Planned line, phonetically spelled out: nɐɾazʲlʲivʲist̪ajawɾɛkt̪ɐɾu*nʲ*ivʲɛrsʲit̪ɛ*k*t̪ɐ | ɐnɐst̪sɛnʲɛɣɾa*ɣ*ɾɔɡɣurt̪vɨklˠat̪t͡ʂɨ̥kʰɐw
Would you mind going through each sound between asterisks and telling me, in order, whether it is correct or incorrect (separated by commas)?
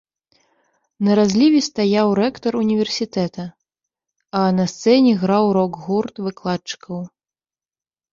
correct, incorrect, incorrect